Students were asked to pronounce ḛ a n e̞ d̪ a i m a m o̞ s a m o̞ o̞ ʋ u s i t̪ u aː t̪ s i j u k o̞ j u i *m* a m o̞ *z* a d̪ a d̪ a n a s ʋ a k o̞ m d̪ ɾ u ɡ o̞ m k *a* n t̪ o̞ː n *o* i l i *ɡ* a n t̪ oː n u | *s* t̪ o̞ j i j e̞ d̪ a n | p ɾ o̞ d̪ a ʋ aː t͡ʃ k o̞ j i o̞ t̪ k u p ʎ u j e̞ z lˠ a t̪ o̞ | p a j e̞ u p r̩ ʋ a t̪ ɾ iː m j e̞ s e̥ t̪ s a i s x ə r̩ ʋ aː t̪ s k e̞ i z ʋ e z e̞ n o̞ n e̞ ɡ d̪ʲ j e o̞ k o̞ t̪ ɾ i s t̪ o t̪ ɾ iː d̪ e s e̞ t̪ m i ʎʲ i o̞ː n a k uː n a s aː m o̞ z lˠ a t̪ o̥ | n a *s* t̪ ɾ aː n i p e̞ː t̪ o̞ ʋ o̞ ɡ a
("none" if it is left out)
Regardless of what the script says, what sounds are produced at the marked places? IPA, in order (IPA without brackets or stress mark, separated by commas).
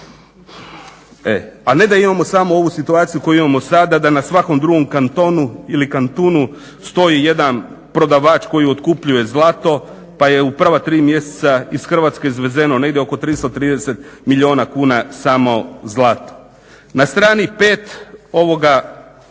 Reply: m, s, a, u, k, s, s